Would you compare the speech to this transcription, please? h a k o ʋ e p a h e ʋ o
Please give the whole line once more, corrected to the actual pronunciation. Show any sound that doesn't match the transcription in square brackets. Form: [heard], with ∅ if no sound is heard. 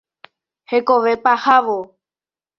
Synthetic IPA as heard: h [e] k o ʋ e p a h [a] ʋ o